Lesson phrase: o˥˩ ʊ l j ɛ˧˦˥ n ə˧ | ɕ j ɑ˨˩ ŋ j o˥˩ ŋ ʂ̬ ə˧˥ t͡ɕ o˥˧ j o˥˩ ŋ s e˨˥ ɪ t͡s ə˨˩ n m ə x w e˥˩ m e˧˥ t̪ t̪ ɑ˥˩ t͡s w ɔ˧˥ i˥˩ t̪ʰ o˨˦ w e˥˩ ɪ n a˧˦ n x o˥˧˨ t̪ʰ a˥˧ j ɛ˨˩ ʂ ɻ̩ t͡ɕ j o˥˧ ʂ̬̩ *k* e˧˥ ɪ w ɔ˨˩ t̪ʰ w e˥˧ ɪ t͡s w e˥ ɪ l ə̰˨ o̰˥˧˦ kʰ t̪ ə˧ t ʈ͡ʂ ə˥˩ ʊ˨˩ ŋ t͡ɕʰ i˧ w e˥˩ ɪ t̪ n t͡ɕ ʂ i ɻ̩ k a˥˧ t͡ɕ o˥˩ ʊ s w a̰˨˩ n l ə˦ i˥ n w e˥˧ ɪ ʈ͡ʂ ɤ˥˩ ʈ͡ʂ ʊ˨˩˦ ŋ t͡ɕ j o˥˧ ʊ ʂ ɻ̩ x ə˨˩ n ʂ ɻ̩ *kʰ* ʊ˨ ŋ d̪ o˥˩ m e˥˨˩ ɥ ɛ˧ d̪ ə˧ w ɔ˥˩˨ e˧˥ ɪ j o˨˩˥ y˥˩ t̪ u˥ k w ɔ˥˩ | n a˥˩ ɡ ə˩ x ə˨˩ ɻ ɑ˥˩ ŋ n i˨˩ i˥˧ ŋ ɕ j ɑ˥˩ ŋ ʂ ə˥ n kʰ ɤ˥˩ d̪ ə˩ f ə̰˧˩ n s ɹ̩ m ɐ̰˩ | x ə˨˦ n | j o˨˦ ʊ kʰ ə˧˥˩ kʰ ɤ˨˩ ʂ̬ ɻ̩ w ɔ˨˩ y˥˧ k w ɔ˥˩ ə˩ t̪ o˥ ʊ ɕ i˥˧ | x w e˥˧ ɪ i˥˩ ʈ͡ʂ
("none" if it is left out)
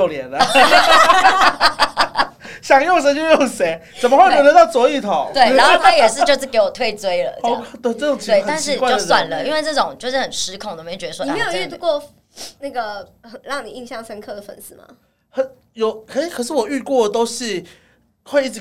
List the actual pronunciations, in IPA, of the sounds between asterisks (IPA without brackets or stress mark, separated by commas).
k, kʰ